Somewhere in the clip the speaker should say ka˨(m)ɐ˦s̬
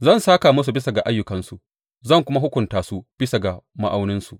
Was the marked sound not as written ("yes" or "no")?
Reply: no